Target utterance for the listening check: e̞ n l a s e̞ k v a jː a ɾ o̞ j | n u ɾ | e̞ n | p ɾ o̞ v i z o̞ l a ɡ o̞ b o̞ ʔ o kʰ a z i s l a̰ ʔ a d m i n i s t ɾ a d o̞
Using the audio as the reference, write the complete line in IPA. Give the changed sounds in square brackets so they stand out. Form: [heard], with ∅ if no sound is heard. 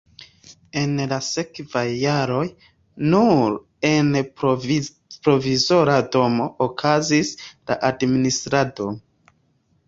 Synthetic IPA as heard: e̞ n l a s e̞ k v a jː a ɾ o̞ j | n u ɾ | e̞ n | p ɾ o̞ v i z o̞ [ɾ] a [d] o̞ [m] o̞ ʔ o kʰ a z i s l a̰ ʔ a d m i n i s t ɾ a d o̞